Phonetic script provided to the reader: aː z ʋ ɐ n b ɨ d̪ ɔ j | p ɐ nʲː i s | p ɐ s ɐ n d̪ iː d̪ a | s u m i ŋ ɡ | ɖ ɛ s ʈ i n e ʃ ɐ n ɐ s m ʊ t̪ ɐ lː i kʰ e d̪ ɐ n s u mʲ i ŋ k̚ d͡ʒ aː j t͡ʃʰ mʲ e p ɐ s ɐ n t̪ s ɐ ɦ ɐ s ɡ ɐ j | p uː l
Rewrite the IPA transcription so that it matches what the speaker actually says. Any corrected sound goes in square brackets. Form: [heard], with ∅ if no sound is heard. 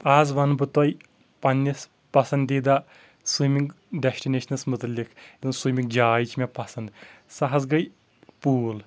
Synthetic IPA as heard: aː z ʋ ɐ n b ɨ [t̪] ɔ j | p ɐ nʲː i s | p ɐ s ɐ n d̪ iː d̪ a | s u m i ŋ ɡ | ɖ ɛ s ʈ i n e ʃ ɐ n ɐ s m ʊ t̪ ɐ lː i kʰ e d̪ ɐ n s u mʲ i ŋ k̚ d͡ʒ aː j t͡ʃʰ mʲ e p ɐ s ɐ n [d̪] s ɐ ɦ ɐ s ɡ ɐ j | p uː l